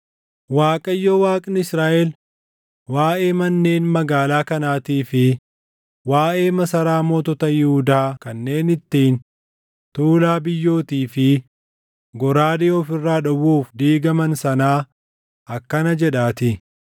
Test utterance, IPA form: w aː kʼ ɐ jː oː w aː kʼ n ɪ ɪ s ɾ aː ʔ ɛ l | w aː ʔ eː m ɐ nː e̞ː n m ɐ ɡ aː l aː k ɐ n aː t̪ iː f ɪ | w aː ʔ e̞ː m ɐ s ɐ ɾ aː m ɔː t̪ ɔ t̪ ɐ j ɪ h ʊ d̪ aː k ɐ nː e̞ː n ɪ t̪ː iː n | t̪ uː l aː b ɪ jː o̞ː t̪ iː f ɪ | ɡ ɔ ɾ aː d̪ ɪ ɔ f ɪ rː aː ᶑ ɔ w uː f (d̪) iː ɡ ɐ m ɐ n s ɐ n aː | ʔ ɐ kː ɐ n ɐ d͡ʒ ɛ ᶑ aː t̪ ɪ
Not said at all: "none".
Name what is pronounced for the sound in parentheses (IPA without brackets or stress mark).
d̪